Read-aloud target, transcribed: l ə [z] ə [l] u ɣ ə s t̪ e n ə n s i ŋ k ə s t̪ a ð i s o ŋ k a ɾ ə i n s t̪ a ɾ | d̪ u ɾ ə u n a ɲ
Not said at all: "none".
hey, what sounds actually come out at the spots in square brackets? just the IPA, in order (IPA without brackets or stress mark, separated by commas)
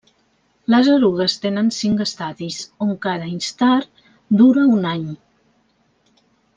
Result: z, ɾ